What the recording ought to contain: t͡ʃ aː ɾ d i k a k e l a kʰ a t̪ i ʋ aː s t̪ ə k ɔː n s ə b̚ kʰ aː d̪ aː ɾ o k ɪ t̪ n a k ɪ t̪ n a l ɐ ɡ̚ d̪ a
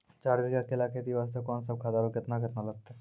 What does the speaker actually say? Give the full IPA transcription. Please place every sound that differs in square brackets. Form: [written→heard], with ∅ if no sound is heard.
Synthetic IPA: t͡ʃ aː ɾ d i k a k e l a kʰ [a→e] t̪ i ʋ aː s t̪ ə k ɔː n s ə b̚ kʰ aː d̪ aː ɾ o k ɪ t̪ n a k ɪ t̪ n a l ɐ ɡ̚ [d̪→t̪] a